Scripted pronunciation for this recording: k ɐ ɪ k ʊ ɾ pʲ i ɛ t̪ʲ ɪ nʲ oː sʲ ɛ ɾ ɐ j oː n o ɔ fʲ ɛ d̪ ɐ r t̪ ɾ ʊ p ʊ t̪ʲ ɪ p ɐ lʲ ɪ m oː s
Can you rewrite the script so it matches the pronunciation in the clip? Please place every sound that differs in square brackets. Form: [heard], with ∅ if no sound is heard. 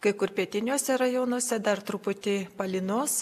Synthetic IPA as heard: k ɐ ɪ k ʊ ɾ pʲ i ɛ t̪ʲ ɪ nʲ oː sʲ ɛ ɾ ɐ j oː n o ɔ [sʲ] ɛ d̪ ɐ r t̪ ɾ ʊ p ʊ t̪ʲ ɪ p ɐ lʲ ɪ [n] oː s